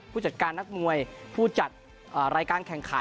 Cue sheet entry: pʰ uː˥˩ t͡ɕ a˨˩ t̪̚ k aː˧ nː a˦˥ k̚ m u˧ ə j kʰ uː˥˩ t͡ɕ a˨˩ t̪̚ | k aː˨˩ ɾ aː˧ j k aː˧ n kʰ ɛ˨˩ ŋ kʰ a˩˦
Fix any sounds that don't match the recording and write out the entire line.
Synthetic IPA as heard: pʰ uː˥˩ t͡ɕ a˨˩ t̪̚ k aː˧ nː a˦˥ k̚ m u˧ ə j pʰ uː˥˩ t͡ɕ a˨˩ t̪̚ | ʔ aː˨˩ ɾ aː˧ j k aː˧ n kʰ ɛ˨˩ ŋ kʰ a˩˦